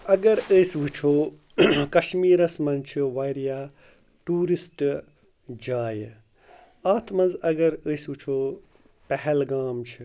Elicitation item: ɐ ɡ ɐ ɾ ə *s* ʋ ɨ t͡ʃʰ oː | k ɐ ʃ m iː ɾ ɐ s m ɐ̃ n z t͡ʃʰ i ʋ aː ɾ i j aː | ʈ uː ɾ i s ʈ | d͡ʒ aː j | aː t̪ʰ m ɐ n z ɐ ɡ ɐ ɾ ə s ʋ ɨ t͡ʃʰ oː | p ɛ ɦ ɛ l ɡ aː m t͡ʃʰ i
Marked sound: correct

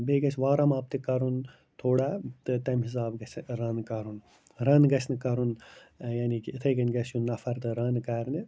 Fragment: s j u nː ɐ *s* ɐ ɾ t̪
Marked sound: incorrect: f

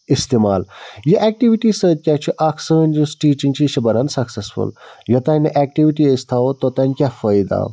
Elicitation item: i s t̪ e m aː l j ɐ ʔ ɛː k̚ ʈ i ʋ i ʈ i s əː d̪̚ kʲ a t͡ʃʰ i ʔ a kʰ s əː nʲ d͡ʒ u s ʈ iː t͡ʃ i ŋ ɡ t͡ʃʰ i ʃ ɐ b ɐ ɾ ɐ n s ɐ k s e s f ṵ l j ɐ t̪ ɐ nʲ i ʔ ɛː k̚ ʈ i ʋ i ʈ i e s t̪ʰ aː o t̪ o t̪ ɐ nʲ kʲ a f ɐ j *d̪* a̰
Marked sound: correct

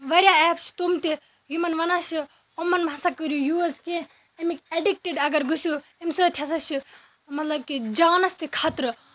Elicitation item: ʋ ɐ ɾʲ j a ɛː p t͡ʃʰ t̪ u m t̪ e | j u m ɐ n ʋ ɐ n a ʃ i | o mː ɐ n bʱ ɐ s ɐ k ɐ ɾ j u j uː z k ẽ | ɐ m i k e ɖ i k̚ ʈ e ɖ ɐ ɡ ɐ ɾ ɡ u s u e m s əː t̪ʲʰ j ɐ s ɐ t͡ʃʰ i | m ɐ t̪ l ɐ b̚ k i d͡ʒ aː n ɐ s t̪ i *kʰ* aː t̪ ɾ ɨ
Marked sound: correct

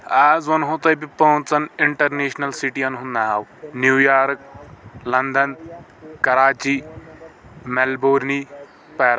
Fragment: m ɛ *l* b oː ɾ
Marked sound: correct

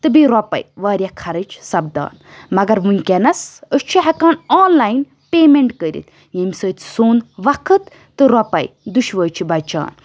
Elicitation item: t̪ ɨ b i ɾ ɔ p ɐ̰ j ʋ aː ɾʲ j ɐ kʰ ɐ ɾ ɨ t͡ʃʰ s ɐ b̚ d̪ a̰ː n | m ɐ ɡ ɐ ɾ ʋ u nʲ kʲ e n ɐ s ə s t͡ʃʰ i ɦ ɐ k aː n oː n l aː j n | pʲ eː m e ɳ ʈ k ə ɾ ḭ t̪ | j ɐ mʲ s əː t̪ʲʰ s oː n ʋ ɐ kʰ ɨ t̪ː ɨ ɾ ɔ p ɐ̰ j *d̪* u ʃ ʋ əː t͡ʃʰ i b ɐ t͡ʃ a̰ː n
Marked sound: correct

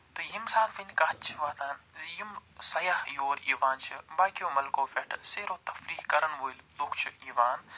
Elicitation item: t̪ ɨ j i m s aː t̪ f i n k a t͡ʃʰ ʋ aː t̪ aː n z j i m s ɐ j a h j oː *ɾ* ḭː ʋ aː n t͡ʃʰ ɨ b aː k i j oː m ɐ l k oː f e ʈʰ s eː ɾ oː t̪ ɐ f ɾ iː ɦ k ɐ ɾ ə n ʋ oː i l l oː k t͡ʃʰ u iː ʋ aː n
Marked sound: correct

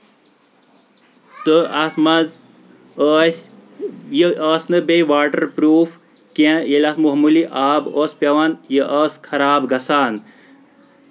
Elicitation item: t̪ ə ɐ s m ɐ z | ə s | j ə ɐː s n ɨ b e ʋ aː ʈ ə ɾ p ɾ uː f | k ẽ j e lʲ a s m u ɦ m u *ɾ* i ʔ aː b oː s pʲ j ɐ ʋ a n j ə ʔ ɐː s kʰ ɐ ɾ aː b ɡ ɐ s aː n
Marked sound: incorrect: l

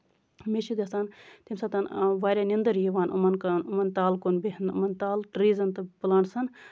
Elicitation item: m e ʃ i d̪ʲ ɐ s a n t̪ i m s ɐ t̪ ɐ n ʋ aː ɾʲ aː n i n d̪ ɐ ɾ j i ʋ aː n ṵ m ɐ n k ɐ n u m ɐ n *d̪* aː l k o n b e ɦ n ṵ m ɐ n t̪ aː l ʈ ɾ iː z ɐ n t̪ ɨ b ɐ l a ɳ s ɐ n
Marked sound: incorrect: t̪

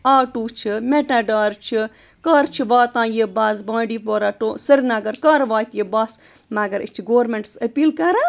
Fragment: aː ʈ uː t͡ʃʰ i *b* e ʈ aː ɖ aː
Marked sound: incorrect: m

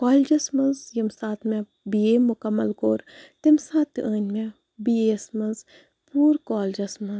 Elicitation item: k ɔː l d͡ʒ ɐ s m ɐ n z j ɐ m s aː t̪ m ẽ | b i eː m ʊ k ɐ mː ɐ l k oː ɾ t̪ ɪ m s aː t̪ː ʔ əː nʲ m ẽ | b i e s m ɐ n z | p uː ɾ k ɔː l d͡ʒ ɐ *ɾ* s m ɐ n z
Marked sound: incorrect: none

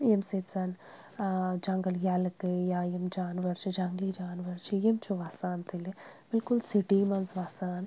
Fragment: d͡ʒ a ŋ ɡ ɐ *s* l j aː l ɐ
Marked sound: incorrect: none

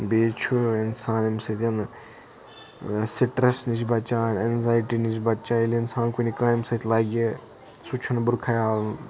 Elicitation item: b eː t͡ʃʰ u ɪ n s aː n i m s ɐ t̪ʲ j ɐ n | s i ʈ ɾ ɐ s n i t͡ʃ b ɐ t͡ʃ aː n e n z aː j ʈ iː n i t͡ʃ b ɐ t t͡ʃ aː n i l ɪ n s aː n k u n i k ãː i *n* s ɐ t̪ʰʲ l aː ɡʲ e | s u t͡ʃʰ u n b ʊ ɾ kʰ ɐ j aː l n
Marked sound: incorrect: m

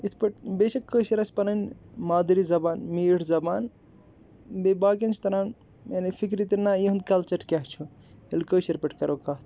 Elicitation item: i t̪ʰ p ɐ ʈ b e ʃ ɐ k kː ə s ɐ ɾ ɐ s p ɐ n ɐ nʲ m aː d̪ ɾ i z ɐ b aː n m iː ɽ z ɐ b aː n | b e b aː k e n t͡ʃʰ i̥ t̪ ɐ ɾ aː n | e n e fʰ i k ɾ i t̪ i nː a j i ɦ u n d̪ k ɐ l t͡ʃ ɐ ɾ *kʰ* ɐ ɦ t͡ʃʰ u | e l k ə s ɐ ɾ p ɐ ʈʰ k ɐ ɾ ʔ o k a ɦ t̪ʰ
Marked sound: incorrect: k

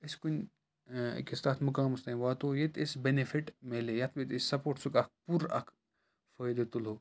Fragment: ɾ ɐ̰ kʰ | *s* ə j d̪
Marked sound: incorrect: f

